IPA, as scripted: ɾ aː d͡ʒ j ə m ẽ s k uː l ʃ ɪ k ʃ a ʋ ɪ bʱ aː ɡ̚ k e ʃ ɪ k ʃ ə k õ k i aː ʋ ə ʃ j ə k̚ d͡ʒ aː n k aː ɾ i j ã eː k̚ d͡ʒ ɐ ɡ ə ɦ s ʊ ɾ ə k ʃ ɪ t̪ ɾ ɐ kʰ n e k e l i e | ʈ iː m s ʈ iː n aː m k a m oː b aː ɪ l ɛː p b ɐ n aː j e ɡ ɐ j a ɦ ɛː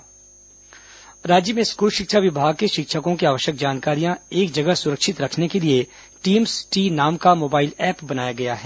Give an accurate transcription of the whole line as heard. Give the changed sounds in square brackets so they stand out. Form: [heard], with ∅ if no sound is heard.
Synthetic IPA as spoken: ɾ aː d͡ʒ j ə m ẽ s k uː l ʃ ɪ k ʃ a ʋ ɪ bʱ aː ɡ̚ k e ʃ ɪ k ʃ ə k õ k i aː ʋ ə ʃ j ə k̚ d͡ʒ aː n k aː ɾ i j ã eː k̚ d͡ʒ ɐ ɡ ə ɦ s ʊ ɾ ə k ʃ ɪ t̪ ɾ ɐ kʰ n e k e l i e | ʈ iː m s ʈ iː n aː m k a m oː b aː ɪ l ɛː p b ɐ n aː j [a] ɡ ɐ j a ɦ ɛː